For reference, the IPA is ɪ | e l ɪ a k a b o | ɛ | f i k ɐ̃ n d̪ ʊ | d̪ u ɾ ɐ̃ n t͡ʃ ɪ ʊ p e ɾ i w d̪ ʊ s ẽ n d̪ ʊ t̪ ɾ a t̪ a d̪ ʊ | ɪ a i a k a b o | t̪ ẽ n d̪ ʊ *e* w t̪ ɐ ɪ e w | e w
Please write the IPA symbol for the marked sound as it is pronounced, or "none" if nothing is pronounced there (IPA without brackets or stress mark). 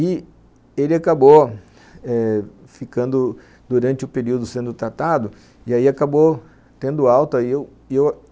a